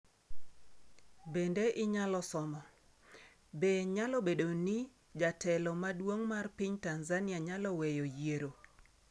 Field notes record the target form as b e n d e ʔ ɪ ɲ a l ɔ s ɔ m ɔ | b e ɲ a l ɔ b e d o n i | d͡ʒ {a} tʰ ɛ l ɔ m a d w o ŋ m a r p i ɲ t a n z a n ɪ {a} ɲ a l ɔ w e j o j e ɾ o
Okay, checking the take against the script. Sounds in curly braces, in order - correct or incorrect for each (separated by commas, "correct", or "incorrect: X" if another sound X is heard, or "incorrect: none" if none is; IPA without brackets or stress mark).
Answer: correct, correct